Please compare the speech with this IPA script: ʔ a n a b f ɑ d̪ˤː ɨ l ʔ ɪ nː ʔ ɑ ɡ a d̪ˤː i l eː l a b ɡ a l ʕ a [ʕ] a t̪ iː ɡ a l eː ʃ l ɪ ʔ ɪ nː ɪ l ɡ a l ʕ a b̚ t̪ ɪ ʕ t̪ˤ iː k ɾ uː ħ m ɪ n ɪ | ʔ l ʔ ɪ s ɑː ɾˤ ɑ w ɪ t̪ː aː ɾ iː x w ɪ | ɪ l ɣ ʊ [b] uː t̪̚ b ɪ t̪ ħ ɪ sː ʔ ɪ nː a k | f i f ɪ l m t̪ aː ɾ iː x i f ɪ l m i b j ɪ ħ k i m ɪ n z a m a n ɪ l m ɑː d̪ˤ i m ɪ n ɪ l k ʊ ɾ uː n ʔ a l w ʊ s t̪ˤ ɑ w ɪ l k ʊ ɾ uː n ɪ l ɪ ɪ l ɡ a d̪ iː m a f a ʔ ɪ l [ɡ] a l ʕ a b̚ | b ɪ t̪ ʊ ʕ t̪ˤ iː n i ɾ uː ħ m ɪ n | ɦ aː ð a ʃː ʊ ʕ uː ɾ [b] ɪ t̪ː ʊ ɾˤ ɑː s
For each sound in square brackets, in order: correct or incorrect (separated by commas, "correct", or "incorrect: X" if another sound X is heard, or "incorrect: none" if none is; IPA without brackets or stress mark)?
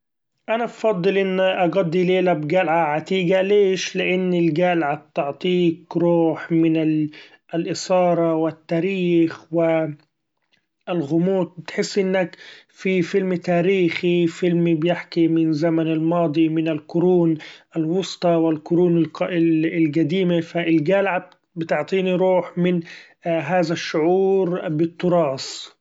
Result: correct, incorrect: m, correct, correct